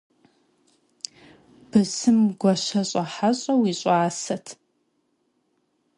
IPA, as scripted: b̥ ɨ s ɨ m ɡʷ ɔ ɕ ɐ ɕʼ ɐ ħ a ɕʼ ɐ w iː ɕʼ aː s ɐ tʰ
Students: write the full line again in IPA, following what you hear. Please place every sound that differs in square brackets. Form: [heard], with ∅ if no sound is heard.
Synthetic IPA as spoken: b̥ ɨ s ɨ m ɡʷ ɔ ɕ ɐ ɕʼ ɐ ħ a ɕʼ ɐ w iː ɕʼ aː s ɐ tʰ